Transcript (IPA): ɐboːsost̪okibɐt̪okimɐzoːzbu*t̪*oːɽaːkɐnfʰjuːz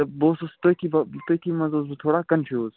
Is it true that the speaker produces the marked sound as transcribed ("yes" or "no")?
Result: no